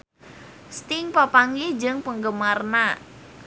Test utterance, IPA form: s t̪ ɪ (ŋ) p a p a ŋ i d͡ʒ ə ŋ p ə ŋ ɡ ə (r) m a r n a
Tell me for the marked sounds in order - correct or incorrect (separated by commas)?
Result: correct, incorrect